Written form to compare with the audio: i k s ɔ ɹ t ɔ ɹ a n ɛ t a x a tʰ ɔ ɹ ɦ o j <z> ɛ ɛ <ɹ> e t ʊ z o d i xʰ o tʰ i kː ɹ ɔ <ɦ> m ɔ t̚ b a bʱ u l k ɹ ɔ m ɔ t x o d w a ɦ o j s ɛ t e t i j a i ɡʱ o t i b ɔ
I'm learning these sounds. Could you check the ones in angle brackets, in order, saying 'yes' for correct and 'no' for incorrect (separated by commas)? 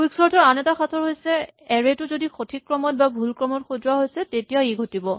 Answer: no, yes, no